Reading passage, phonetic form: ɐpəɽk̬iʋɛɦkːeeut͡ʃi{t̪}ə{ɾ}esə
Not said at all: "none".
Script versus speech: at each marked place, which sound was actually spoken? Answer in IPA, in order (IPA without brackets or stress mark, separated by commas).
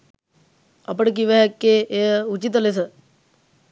t̪, l